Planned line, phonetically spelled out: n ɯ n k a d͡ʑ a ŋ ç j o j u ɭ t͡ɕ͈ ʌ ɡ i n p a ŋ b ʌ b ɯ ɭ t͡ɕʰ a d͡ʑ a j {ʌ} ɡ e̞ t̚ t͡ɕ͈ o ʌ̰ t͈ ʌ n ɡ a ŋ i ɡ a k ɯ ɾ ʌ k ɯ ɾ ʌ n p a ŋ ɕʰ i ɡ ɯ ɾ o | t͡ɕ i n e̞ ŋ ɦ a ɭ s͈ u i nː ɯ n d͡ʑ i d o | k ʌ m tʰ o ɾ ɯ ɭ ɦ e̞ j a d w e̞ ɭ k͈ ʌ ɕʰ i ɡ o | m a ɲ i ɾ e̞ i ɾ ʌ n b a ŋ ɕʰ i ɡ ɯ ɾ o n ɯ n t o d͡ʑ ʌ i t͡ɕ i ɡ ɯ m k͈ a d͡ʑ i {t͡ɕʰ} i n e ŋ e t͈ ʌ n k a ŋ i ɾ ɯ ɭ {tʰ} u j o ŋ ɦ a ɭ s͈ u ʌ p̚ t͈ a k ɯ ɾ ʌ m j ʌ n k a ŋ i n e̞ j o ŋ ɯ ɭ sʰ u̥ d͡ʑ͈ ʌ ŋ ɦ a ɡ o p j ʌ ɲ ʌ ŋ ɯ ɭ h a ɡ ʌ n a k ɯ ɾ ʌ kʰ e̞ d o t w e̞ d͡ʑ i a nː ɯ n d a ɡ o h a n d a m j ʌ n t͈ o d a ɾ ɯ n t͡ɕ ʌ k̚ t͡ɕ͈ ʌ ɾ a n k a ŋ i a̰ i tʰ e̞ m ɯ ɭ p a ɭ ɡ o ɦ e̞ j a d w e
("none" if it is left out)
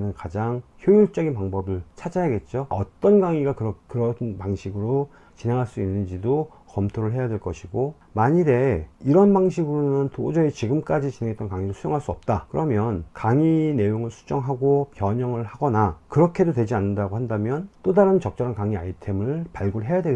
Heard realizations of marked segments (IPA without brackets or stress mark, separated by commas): a, t͡ɕ, sʰ